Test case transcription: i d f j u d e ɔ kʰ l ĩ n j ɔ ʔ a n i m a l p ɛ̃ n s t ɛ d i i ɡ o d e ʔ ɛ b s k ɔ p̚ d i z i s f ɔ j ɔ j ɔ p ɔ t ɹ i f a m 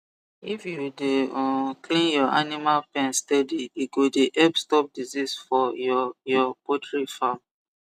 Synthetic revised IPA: i f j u d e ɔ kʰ l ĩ n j ɔ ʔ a n i m a l p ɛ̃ n s t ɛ d i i ɡ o d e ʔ ɛ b s t ɔ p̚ d i z i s f ɔ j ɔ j ɔ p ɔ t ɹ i f a m